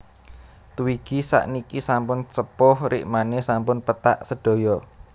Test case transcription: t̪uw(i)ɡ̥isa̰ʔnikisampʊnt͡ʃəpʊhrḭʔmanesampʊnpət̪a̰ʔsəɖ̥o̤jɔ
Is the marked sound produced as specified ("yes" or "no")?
yes